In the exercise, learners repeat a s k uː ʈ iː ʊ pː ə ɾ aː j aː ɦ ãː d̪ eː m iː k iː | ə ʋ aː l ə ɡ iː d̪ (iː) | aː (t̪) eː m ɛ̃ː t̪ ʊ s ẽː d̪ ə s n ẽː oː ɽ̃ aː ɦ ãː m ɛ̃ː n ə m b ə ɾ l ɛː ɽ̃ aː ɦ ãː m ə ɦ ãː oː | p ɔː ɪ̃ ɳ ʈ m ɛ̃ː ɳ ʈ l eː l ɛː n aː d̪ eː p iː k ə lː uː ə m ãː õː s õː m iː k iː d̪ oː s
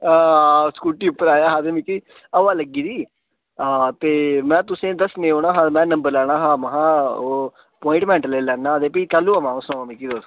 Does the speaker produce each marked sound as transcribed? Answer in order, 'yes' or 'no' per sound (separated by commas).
yes, yes